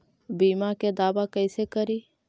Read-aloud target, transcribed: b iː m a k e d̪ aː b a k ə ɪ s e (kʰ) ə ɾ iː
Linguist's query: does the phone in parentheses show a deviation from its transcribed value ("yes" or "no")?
yes